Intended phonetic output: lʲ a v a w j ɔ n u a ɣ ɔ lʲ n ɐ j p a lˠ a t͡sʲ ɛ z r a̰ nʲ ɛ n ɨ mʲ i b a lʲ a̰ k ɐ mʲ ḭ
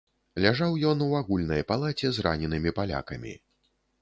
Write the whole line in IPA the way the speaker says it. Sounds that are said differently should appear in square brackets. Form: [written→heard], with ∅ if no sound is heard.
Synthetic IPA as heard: lʲ a [v→ʐ] a w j ɔ n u a ɣ [ɔ→u] lʲ n ɐ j p a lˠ a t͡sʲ ɛ z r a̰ nʲ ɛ n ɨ mʲ i [b→p] a lʲ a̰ k ɐ mʲ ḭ

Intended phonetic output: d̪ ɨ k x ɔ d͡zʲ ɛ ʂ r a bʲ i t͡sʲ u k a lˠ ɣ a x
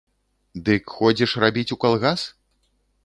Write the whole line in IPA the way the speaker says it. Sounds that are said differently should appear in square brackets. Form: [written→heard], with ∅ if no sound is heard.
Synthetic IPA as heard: d̪ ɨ k x ɔ d͡zʲ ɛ ʂ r a bʲ i t͡sʲ u k a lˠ ɣ a [x→s]

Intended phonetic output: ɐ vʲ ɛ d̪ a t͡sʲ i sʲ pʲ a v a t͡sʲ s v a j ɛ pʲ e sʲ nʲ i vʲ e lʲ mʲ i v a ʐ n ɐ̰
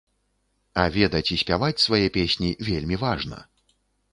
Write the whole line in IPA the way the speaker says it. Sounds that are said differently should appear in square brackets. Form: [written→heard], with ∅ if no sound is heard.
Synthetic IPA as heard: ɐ vʲ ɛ d̪ [a→ɐ] t͡sʲ i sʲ pʲ a v a t͡sʲ s v a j ɛ pʲ e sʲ nʲ i vʲ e lʲ mʲ i v a ʐ n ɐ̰

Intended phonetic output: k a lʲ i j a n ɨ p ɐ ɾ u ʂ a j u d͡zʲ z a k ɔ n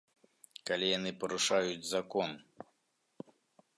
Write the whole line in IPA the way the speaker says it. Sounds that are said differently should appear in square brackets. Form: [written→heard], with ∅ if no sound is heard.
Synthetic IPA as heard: k a lʲ i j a n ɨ p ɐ ɾ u ʂ a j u d͡zʲ z a k ɔ n

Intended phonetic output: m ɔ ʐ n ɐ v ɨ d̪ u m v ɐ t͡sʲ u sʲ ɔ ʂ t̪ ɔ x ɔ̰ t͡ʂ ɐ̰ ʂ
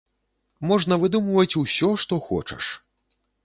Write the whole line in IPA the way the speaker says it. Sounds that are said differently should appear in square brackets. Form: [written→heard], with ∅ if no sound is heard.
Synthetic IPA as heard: m ɔ ʐ n ɐ v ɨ d̪ u m v ɐ t͡sʲ u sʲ ɔ ʂ t̪ ɔ x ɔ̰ t͡ʂ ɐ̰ ʂ

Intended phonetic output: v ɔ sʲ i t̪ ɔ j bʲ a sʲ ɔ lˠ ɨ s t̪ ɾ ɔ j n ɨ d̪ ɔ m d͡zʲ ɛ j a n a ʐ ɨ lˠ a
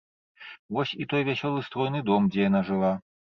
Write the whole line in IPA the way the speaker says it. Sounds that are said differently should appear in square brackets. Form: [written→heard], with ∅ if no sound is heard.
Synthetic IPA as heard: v ɔ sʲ i t̪ ɔ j [bʲ→vʲ] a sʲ ɔ lˠ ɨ s t̪ ɾ ɔ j n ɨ d̪ ɔ m d͡zʲ ɛ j a n a ʐ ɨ lˠ a

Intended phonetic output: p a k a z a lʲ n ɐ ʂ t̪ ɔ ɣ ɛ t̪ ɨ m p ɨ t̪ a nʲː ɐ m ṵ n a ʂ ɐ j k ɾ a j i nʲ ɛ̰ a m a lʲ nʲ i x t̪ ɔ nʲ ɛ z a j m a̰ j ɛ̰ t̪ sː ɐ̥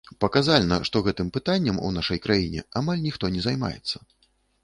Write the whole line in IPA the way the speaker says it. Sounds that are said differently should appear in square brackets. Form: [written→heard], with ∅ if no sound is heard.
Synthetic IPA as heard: p [a→ɐ] k a z a lʲ n ɐ ʂ t̪ ɔ ɣ ɛ t̪ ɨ m p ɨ t̪ a nʲː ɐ m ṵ n a ʂ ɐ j k ɾ a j i nʲ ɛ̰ a m a lʲ nʲ i x t̪ ɔ nʲ ɛ z a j m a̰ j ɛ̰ t̪ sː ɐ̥

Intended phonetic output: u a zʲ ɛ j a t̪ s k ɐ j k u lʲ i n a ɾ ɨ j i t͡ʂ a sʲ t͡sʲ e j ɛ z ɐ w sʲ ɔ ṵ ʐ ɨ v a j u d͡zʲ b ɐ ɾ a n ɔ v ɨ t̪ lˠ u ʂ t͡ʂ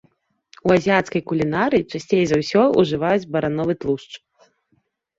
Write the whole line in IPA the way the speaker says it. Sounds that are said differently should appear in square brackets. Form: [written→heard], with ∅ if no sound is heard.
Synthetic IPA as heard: u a zʲ [ɛ→i] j a t̪ s k ɐ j k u lʲ i n a ɾ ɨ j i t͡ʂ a sʲ t͡sʲ e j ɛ z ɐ w sʲ ɔ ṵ ʐ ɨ v a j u d͡zʲ b ɐ ɾ a n ɔ v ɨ t̪ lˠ u ʂ t͡ʂ

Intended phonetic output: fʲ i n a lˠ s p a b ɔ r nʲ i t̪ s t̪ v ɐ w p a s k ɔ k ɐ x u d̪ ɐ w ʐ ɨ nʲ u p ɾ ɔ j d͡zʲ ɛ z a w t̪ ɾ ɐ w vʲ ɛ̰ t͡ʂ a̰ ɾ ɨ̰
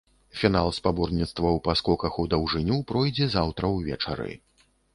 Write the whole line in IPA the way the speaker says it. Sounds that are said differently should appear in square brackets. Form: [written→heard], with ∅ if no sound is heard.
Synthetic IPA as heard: fʲ i n a lˠ s p a b ɔ r nʲ i t̪ s t̪ v ɐ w p a s k ɔ k ɐ x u d̪ ɐ w ʐ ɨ nʲ u p ɾ ɔ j d͡zʲ ɛ z a w t̪ ɾ ɐ w vʲ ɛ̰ t͡ʂ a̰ ɾ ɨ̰

